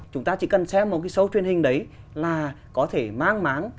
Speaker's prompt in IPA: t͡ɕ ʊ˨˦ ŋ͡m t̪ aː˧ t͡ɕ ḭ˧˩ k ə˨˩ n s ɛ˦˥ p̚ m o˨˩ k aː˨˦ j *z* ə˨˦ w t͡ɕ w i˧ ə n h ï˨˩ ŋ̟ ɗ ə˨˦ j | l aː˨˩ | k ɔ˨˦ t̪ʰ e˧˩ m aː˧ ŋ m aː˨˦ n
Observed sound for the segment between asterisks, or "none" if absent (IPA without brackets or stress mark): s